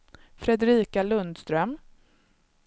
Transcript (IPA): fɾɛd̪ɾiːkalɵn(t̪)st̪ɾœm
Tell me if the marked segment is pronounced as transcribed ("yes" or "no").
no